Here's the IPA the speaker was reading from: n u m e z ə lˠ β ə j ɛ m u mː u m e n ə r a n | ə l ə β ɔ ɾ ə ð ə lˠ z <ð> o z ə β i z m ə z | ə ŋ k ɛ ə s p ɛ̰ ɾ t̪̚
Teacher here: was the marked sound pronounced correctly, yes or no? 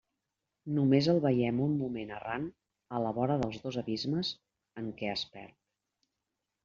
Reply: yes